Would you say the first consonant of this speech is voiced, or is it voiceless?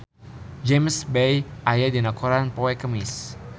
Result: voiced